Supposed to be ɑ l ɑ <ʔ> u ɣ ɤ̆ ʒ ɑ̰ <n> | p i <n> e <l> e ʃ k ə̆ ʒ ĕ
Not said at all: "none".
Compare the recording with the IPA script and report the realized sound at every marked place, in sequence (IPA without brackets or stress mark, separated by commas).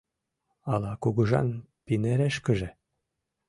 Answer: k, n, n, ɾ